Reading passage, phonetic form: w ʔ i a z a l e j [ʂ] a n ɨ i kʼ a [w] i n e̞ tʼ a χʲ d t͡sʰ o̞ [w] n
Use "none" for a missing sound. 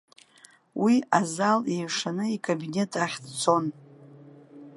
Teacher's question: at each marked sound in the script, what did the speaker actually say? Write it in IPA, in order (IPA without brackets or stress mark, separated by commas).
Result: ʂ, b, none